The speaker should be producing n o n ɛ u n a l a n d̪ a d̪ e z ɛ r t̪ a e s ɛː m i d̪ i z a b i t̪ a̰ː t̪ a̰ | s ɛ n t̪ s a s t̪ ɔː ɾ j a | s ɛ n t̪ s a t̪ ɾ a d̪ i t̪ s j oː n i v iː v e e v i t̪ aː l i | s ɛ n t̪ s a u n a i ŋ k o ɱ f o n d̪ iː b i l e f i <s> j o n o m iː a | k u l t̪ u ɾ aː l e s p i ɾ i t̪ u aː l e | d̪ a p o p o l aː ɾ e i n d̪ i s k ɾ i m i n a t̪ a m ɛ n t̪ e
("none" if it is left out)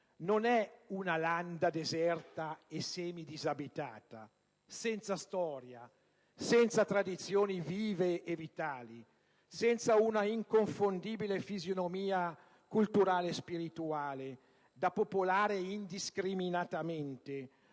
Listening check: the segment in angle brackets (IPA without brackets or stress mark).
z